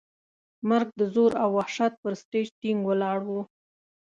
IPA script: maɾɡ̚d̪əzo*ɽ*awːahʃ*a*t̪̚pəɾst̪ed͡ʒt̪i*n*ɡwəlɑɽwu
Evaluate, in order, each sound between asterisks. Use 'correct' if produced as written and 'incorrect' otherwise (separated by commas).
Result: incorrect, correct, incorrect